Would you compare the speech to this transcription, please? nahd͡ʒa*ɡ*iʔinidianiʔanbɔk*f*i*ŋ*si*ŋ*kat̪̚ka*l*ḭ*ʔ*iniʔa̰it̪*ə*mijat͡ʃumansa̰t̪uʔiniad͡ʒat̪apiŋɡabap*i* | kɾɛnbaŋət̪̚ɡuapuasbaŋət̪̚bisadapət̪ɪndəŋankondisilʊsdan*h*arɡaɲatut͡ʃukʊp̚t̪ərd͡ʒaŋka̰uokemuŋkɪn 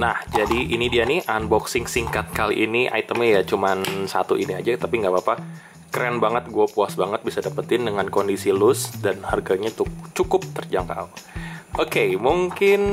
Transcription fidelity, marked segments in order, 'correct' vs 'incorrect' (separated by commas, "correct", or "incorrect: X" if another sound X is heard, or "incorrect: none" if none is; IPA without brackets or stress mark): incorrect: d, incorrect: s, correct, correct, correct, correct, correct, incorrect: a, correct